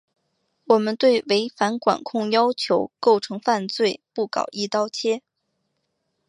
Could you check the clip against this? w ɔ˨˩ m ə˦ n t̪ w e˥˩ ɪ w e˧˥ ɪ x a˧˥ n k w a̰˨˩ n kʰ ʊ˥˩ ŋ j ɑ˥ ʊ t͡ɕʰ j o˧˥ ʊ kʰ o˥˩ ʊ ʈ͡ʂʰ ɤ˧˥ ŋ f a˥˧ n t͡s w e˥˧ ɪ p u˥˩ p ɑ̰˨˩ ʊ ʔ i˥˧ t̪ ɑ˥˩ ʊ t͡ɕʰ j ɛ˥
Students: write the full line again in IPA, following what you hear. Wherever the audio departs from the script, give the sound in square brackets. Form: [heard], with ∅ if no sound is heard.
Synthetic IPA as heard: w ɔ˨˩ m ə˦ n t̪ w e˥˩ ɪ w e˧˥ ɪ [f] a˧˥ n k w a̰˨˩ n kʰ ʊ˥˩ ŋ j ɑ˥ ʊ t͡ɕʰ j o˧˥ ʊ [k] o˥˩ ʊ ʈ͡ʂʰ ɤ˧˥ ŋ f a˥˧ n t͡s w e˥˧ ɪ p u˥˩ [k] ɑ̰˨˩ ʊ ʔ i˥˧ t̪ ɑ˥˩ ʊ t͡ɕʰ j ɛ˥

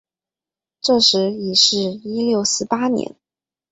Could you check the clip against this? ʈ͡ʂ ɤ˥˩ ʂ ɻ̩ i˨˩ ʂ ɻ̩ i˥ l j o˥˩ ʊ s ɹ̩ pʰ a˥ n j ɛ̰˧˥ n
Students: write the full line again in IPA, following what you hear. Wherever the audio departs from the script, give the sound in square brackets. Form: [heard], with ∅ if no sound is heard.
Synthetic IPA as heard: ʈ͡ʂ ɤ˥˩ ʂ ɻ̩ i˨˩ ʂ ɻ̩ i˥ l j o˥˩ ʊ s ɹ̩ [p] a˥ n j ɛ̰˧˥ n

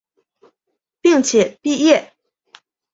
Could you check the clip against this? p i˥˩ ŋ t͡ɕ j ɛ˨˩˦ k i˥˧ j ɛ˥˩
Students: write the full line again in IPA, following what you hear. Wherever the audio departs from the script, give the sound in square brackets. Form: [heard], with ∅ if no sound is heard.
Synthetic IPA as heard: p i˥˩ ŋ [t͡ɕʰ] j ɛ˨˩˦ [p] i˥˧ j ɛ˥˩

